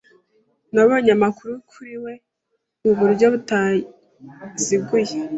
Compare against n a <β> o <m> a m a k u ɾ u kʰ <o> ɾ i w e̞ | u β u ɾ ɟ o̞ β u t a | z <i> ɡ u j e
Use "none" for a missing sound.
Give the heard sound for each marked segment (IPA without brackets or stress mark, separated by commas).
β, ɲ, u, i